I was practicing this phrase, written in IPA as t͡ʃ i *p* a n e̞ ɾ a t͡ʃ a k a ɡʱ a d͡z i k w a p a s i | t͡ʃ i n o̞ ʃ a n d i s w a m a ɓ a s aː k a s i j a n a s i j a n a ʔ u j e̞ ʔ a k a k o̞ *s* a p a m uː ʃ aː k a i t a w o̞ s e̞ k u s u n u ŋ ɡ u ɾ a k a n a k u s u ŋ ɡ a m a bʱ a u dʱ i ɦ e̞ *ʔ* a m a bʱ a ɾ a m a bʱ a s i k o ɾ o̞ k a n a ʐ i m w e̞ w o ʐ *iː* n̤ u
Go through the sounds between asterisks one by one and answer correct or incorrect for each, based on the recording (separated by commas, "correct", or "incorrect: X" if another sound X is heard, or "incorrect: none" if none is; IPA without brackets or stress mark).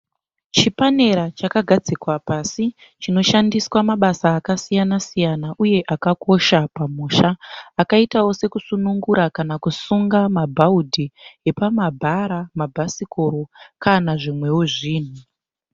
correct, incorrect: ʃ, incorrect: p, correct